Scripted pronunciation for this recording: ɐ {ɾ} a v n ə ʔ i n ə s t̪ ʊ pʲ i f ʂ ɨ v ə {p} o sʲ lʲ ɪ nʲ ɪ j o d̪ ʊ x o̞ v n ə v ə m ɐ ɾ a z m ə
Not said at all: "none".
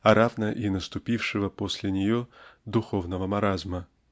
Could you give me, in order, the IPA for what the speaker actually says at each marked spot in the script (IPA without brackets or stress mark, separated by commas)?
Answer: ɾ, p